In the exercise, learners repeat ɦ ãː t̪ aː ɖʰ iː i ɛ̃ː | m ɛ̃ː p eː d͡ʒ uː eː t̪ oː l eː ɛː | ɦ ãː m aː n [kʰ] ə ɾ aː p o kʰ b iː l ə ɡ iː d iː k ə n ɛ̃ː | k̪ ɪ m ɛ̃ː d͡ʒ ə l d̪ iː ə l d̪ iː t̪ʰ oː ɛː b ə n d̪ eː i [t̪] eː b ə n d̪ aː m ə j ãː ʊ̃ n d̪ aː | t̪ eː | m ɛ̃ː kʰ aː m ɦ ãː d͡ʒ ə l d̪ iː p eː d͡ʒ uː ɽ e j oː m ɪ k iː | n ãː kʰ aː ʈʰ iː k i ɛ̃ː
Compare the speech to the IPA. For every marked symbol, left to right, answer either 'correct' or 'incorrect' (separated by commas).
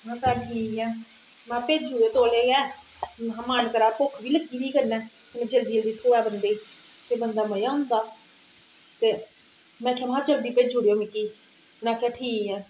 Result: incorrect, correct